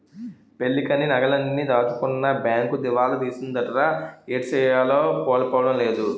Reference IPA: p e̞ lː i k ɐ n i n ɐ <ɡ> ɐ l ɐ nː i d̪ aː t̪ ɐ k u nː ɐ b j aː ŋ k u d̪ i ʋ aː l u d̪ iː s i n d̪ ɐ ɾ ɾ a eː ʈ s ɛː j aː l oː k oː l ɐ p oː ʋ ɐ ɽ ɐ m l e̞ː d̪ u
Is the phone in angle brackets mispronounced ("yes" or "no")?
no